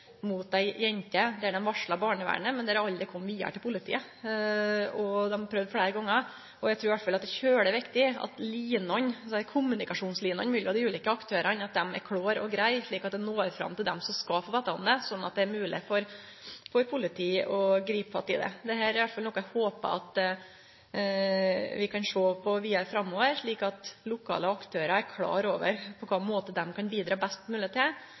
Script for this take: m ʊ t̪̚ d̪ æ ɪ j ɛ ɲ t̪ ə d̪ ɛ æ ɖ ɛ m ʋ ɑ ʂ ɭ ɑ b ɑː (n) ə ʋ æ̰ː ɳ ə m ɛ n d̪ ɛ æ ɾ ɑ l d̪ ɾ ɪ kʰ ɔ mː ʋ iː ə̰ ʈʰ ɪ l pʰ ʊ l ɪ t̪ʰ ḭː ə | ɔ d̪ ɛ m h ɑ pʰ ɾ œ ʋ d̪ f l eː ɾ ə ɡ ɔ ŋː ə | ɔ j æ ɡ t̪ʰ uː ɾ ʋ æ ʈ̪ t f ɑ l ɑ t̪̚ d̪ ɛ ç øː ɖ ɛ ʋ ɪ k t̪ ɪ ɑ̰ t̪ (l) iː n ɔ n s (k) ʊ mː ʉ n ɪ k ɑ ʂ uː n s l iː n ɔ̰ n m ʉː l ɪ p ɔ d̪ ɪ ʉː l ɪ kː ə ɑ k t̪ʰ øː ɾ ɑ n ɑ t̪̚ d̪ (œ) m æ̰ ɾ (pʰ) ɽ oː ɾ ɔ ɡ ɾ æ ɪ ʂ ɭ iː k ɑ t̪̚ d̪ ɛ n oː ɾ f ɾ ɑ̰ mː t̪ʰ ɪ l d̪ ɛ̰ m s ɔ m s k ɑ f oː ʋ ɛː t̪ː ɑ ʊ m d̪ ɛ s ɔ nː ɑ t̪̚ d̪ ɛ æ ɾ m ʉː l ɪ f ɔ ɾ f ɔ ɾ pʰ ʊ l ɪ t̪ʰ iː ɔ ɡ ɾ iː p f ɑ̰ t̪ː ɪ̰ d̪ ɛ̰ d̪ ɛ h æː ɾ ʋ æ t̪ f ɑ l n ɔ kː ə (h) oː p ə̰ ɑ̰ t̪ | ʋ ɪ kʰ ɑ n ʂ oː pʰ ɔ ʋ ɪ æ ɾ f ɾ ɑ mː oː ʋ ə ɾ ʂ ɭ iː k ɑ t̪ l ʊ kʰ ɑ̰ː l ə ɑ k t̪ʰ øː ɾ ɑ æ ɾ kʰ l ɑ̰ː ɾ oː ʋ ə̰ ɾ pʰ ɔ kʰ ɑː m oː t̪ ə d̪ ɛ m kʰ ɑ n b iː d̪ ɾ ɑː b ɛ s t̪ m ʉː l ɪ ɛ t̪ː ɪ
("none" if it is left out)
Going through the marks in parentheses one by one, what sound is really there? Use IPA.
ɳ, l, kʰ, ɛ, kʰ, h

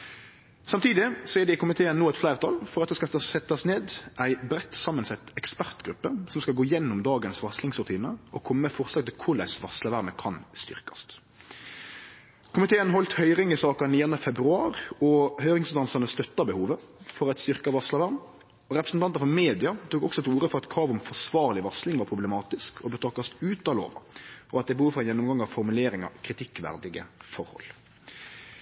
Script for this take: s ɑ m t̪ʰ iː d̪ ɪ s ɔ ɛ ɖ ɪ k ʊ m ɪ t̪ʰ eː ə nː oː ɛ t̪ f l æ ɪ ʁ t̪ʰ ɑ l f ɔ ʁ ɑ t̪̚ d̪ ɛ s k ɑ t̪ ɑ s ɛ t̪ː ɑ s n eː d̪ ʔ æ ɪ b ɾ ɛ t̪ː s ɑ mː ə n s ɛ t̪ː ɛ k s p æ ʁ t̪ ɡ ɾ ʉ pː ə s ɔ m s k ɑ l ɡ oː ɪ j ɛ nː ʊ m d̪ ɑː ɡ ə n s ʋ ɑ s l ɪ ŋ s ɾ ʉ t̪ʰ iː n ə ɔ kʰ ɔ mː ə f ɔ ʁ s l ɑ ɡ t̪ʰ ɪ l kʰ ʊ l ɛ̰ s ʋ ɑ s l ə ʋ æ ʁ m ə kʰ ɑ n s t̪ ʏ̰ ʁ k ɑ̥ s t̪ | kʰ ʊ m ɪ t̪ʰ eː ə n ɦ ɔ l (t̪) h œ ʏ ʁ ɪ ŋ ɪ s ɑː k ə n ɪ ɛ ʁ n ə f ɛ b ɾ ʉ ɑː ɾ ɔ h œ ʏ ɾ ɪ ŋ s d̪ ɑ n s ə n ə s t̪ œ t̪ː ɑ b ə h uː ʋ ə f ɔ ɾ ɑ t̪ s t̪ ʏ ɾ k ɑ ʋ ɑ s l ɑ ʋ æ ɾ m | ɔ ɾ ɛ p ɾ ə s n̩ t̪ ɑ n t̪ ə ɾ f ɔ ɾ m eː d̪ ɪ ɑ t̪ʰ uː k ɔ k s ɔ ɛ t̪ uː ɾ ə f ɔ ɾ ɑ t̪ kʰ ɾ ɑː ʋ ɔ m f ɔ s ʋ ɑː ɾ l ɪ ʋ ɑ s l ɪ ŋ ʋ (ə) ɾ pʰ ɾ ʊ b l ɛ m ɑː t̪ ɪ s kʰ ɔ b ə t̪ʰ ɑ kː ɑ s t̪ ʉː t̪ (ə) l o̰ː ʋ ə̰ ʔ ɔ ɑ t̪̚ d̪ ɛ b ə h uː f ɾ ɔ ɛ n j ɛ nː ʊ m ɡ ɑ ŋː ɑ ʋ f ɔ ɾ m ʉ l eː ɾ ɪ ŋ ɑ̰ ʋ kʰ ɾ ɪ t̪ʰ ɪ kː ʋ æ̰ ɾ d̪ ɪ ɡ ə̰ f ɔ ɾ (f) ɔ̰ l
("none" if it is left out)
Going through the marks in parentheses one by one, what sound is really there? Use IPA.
t̪, ɑ, ɑ, h

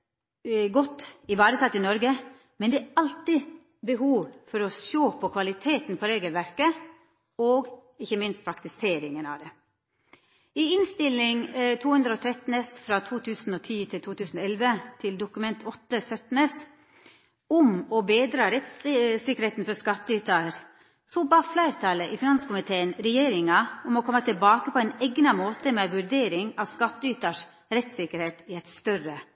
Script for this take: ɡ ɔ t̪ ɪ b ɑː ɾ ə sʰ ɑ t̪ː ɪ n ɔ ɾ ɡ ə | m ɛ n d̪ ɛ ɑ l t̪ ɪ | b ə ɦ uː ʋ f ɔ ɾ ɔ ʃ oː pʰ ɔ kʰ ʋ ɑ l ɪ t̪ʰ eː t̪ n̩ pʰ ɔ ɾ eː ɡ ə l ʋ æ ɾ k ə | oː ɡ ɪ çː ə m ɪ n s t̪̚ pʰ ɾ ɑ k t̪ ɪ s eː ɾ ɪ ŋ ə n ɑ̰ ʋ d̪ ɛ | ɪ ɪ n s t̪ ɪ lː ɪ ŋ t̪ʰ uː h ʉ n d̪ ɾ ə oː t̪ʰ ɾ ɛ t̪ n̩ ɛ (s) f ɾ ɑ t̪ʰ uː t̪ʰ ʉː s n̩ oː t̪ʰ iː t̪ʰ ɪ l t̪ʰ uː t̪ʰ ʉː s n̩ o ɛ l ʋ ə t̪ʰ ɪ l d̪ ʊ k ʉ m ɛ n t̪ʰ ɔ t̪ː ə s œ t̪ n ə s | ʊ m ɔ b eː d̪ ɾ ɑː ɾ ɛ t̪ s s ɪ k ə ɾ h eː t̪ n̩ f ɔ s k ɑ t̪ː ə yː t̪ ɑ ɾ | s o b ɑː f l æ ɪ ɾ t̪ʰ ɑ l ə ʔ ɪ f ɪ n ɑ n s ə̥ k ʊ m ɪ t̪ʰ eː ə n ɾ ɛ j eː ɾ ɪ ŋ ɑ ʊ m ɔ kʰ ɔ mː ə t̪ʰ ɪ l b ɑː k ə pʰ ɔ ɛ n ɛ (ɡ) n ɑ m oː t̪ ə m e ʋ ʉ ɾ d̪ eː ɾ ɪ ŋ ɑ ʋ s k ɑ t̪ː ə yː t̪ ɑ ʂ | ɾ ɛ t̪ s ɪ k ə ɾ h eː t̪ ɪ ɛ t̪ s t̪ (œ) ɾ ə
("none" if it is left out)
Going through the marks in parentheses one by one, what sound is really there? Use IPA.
s, ɡ, œ

